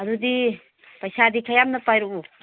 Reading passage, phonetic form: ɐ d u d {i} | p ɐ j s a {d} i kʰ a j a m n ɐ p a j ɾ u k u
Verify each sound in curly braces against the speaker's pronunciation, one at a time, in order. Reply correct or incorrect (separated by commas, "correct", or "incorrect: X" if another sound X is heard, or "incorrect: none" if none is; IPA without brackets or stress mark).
correct, correct